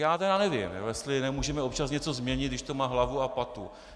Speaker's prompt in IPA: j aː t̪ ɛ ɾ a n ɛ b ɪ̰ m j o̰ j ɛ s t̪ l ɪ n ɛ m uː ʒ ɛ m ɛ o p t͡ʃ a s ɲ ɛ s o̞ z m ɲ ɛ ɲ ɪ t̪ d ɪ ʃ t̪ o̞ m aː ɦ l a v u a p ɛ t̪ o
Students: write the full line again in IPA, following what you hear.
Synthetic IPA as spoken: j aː t̪ ɛ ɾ a n ɛ v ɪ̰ m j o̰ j ɛ s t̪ l ɪ n ɛ m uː ʒ ɛ m ɛ o p t͡ʃ a s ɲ ɛ t͡s o̞ z m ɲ ɛ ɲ ɪ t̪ d ɪ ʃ t̪ o̞ m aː ɦ l a v u a p a t̪ u